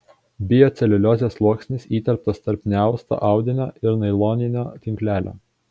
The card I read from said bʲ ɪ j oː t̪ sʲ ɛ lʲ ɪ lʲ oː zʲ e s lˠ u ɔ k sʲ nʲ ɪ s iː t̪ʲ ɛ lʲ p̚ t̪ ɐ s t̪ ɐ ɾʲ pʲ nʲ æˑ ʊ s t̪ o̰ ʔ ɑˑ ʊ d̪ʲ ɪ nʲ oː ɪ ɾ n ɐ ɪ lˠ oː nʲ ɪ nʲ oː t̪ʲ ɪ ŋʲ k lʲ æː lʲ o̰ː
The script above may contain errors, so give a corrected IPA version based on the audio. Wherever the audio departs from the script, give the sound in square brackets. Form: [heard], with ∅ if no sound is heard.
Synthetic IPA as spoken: bʲ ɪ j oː t̪ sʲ ɛ lʲ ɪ lʲ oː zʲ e s lˠ u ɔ k sʲ nʲ ɪ s iː t̪ʲ ɛ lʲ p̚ t̪ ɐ s t̪ ɐ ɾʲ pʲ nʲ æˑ ʊ s t̪ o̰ ʔ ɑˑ ʊ d̪ʲ ɪ nʲ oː ɪ ɾ n ɐ ɪ lˠ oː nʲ ɪ nʲ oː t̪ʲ ɪ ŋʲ k lʲ æː lʲ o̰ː